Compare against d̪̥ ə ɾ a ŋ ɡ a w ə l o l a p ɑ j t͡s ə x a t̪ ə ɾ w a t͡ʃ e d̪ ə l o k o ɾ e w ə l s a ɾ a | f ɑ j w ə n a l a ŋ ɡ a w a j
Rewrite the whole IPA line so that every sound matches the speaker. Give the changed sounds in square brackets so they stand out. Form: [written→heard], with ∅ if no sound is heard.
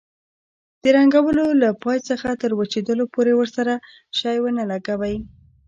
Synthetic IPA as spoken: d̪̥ ə ɾ a ŋ ɡ a w ə l o l a p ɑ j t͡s ə x a t̪ ə ɾ w a t͡ʃ e d̪ ə l o [k→p] o ɾ e w ə [l→ɾ] s a ɾ a | [f→ʃ] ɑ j w ə n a l a [ŋ→∅] ɡ a w a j